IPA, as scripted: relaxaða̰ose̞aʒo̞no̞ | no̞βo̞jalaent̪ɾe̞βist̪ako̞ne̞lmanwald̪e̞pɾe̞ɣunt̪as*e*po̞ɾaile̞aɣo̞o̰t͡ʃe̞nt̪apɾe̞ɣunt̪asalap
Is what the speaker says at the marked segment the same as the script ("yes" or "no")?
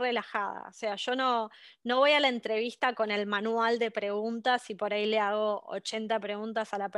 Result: no